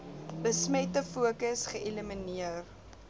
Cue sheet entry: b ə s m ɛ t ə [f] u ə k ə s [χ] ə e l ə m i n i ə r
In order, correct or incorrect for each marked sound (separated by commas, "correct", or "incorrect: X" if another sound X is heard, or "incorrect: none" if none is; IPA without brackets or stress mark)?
correct, correct